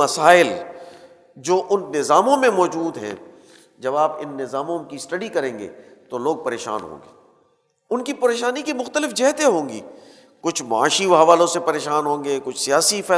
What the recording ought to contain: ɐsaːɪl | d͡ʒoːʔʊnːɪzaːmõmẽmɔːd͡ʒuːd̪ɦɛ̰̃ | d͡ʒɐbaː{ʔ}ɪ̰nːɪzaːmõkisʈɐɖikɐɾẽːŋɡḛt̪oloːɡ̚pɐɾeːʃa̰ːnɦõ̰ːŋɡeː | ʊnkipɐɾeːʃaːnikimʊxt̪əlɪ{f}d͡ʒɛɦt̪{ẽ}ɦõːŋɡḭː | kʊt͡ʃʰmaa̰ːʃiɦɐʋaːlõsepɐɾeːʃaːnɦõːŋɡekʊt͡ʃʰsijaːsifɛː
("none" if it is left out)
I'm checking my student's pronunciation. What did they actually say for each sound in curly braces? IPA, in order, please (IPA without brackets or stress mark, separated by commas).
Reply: p, f, e